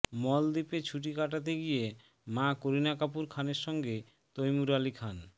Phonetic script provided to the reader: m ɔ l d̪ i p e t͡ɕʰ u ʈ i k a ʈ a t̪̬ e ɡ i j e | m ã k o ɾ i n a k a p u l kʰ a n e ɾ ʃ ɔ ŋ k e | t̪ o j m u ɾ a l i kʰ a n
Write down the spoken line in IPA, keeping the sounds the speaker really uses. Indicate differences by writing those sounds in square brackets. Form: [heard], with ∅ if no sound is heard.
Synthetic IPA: m ɔ l d̪ i p e t͡ɕʰ u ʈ i k a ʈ a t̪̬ e ɡ i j e | m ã k o ɾ i n a k a p u [ɾ] kʰ a n e ɾ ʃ ɔ ŋ [ɡ] e | t̪ o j m u ɾ a l i kʰ a n

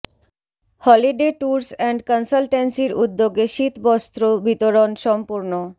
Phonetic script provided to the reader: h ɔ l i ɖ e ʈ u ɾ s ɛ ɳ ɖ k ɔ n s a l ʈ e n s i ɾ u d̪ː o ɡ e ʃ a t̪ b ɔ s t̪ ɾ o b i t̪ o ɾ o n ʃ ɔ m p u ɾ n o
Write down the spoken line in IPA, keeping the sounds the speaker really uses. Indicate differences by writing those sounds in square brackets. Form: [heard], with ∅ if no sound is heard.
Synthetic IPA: h ɔ l i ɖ e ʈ u ɾ s ɛ ɳ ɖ k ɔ n s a l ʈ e n s i ɾ u d̪ː o ɡ e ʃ [i] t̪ b ɔ s t̪ ɾ o b i t̪ o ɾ o n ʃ ɔ m p u ɾ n o

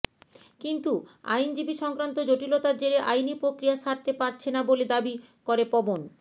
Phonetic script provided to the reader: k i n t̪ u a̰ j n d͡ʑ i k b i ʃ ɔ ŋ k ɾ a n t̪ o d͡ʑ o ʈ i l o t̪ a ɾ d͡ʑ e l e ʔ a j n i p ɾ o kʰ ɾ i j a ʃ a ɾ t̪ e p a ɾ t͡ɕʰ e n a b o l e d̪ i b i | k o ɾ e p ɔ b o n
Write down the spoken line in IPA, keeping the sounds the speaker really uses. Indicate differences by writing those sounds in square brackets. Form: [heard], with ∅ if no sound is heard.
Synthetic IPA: k i n t̪ u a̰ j n d͡ʑ i [∅] b i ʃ ɔ ŋ k ɾ a n t̪ o d͡ʑ o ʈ i l o t̪ a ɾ d͡ʑ e [ɾ] e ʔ a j n i p ɾ o [k] ɾ i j a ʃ a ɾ t̪ e p a ɾ t͡ɕʰ e n a b o l e d̪ [a] b i | k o ɾ e p ɔ b o n

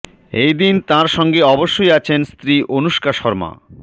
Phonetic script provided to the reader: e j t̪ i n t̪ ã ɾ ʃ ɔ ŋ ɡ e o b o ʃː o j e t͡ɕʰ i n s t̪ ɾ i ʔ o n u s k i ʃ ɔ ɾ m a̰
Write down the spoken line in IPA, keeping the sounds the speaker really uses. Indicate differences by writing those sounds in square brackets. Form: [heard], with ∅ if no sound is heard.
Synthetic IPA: e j [d̪] i n t̪ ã ɾ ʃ ɔ ŋ ɡ e [ɔ] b o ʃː o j [a] t͡ɕʰ [e] n s t̪ ɾ i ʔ o n u [ʃ] k [a] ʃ ɔ ɾ m a̰

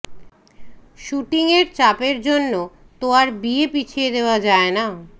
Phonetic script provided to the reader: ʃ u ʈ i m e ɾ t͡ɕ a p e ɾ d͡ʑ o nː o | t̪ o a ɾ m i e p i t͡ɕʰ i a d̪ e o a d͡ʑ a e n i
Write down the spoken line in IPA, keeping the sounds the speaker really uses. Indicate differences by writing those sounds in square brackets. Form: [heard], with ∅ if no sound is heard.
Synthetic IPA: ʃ u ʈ i [ŋ] e ɾ t͡ɕ a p e ɾ d͡ʑ o nː o | t̪ o a ɾ [b] i e p i t͡ɕʰ i [e] d̪ e o a d͡ʑ a e n [a]

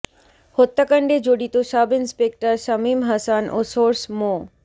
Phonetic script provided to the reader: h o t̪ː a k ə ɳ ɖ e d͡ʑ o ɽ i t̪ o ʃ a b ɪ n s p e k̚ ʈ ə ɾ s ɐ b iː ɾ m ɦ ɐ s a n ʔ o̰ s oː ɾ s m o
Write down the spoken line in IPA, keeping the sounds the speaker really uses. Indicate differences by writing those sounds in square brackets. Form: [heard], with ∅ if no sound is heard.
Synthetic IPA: h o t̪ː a k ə ɳ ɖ e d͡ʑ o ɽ i t̪ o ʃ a b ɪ n s p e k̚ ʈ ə ɾ s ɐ [m] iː [∅] m ɦ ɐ s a n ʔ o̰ s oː ɾ s m o

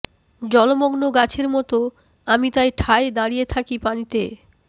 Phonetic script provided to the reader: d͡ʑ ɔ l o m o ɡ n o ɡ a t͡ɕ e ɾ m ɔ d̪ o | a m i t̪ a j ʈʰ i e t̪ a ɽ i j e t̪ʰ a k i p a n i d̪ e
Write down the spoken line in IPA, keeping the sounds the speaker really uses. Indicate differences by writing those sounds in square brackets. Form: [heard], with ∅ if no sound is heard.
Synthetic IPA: d͡ʑ ɔ l o m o ɡ n o ɡ a [t͡ɕʰ] e ɾ m ɔ [t̪] o | a m i t̪ a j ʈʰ [a] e [d̪] a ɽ i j e t̪ʰ a k i p a n i [t̪] e

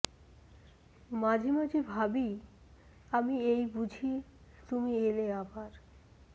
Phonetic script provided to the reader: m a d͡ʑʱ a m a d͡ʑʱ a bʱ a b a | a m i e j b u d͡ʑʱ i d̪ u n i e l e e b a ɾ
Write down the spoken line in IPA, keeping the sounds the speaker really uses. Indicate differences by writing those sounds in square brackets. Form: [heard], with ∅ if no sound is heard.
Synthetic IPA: m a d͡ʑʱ [i] m a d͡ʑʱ [i] bʱ a b [i] | a m i e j b u d͡ʑʱ i [t̪] u [m] i e l e [a] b a ɾ

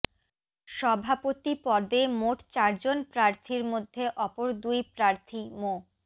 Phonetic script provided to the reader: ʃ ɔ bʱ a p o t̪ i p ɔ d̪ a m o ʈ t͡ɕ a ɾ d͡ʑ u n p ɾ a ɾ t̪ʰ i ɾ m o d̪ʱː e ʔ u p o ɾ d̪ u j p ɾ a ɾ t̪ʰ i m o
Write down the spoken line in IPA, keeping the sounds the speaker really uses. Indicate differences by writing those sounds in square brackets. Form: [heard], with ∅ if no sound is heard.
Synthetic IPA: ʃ ɔ bʱ a p o t̪ i p ɔ d̪ [e] m o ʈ t͡ɕ a ɾ d͡ʑ [o] n p ɾ a ɾ t̪ʰ i ɾ m o d̪ʱː e ʔ [ɔ] p o ɾ d̪ u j p ɾ a ɾ t̪ʰ i m o

